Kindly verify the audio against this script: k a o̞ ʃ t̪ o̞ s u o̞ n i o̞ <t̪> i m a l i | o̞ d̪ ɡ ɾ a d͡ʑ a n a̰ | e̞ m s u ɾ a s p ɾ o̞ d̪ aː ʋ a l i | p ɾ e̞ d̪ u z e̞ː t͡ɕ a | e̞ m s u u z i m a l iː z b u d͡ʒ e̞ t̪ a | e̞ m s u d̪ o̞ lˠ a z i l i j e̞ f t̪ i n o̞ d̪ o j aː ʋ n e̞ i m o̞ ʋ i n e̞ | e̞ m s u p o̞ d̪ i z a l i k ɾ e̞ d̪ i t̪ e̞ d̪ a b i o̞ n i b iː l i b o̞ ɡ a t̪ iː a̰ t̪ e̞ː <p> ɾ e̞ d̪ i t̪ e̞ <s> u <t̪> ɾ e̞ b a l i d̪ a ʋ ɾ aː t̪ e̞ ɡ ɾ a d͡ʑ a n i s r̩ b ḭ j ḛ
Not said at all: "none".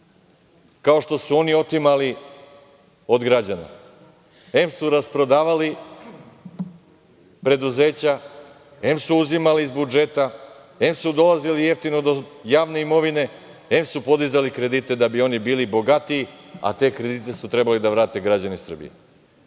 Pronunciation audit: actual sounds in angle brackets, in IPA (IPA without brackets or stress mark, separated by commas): t̪, k, s, t̪